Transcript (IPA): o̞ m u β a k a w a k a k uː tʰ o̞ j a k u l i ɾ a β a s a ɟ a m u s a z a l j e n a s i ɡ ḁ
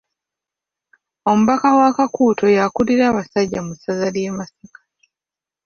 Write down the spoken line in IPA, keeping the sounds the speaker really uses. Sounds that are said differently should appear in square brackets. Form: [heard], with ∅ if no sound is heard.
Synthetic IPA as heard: o̞ m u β a k a w a k a k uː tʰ o̞ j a k u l i ɾ a β a s a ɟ a m u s a z a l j e [m] a s i [k] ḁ